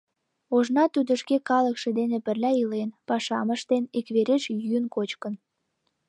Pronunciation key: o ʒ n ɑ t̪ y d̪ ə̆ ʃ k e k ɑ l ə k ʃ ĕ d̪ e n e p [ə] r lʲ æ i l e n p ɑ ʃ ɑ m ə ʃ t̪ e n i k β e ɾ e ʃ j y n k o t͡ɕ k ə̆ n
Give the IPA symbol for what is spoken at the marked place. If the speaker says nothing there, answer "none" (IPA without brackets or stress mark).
ə